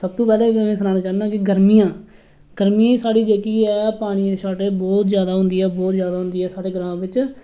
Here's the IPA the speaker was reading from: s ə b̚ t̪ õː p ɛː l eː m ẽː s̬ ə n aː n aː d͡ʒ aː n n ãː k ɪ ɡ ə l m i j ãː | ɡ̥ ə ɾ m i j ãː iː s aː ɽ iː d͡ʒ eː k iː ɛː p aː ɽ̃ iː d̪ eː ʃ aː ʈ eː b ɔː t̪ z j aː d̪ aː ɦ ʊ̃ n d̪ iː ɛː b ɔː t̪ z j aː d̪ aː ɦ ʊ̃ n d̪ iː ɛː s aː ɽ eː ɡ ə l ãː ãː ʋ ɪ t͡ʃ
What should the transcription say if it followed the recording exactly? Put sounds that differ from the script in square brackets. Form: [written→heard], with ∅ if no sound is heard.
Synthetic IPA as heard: s ə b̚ t̪ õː p ɛː l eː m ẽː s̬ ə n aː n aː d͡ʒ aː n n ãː k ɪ ɡ ə [l→ɾ] m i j ãː | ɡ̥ ə ɾ m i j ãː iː s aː ɽ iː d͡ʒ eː k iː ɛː p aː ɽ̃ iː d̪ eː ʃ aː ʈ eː b ɔː t̪ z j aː d̪ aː ɦ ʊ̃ n d̪ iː ɛː b ɔː t̪ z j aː d̪ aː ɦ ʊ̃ n d̪ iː ɛː s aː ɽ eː ɡ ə [l→ɾ] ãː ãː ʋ ɪ t͡ʃ

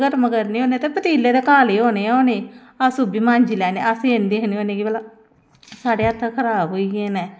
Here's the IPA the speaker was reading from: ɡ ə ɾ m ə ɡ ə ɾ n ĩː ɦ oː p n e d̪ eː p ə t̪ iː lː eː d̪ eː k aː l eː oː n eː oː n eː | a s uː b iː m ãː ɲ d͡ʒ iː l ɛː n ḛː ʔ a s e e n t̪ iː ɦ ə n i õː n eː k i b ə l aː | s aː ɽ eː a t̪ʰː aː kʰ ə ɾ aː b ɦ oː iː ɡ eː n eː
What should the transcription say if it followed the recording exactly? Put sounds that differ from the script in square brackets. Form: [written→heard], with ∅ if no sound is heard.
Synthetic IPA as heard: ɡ ə ɾ m ə ɡ ə ɾ n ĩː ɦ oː [p→∅] n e [d̪→t̪] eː p ə t̪ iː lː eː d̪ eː k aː l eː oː n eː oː n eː | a s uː b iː m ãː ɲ d͡ʒ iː l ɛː n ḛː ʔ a s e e n [t̪→d̪] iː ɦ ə n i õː n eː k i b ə l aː | s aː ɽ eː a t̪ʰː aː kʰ ə ɾ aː b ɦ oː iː ɡ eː n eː

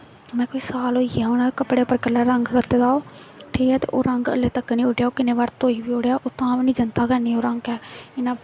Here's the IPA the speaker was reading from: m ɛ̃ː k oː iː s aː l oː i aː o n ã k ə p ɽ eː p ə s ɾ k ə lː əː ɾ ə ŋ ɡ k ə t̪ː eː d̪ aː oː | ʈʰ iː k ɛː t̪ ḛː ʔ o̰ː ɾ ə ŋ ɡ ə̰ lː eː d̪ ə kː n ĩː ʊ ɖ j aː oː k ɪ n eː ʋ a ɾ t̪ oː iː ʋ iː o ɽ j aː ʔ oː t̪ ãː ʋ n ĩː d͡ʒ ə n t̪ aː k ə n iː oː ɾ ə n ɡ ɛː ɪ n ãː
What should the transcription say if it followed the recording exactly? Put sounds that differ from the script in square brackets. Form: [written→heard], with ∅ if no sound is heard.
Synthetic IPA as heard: m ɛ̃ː k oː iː s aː l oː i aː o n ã k ə p ɽ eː p ə [s→∅] ɾ k ə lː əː ɾ ə ŋ ɡ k ə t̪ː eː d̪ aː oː | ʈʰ iː k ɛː t̪ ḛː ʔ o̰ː ɾ ə ŋ ɡ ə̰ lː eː [d̪→t̪] ə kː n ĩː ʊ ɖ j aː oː k ɪ n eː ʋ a ɾ t̪ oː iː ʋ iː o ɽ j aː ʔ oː t̪ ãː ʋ n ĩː d͡ʒ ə n t̪ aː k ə n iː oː ɾ ə [n→ŋ] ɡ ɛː ɪ n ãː

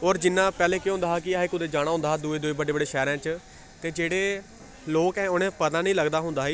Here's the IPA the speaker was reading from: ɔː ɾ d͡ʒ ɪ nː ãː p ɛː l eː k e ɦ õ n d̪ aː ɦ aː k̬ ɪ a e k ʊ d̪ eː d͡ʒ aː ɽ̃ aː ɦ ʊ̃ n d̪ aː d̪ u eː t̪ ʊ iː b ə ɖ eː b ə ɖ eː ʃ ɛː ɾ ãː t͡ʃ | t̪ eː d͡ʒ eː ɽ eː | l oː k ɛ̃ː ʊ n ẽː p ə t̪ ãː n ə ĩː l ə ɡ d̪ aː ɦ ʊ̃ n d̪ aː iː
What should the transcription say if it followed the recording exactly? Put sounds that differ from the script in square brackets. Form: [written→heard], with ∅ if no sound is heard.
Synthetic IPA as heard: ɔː ɾ d͡ʒ ɪ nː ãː p ɛː l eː k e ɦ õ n d̪ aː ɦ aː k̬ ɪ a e k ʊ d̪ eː d͡ʒ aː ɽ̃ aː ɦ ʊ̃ n d̪ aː d̪ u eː [t̪→d̪] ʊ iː b ə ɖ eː b ə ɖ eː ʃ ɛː ɾ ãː t͡ʃ | t̪ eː d͡ʒ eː ɽ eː | l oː k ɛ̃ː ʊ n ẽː p ə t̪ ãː n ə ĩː l ə ɡ d̪ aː ɦ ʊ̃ n d̪ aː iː

